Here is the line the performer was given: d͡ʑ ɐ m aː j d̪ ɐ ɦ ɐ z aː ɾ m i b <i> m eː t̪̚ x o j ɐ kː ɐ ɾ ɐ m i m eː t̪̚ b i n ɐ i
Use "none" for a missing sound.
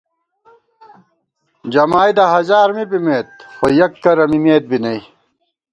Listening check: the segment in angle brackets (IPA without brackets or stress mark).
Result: i